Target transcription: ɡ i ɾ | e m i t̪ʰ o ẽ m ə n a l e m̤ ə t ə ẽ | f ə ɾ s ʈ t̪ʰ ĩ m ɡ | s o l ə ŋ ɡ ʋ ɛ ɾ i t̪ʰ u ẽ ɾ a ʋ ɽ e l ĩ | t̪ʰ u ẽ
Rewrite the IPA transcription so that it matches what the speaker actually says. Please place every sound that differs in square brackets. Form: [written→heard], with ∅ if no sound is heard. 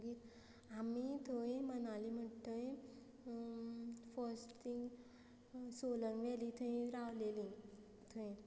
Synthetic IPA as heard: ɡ i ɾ | [e→a] m i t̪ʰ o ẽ m ə n a l [e→i] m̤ ə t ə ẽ | f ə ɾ s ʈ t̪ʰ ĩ [m→ŋ] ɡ | s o l ə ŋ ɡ ʋ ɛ [ɾ→l] i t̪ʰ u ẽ ɾ a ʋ [ɽ→l] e l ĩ | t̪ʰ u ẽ